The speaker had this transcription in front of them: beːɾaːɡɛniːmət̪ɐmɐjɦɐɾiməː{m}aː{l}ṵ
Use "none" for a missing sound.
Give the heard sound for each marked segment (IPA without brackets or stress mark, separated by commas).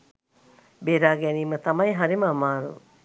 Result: m, ɾ